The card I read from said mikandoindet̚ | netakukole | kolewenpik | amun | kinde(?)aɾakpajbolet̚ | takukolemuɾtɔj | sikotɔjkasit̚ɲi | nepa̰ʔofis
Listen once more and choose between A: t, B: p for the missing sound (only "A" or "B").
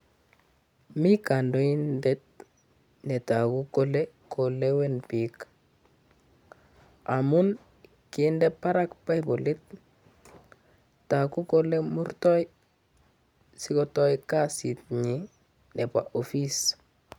B